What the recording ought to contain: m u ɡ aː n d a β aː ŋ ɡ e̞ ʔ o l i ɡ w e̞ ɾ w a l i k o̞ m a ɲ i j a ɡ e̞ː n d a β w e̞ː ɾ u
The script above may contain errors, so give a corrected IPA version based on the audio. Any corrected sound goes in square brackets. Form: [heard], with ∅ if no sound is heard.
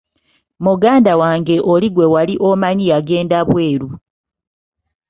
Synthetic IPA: m u ɡ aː n d a [w] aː ŋ ɡ e̞ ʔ o l i ɡ w e̞ [∅] w a l i [ʔ] o̞ m a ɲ i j a ɡ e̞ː n d a β w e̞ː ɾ u